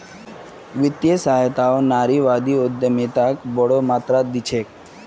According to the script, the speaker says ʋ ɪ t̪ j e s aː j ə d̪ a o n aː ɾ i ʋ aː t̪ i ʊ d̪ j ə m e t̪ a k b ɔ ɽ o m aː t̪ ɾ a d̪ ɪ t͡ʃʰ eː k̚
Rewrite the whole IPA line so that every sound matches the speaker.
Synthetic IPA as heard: ʋ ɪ t̪ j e s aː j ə t̪ a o n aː ɾ i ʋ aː d̪ i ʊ d̪ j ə m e t̪ a k b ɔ ɽ o m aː t̪ ɾ a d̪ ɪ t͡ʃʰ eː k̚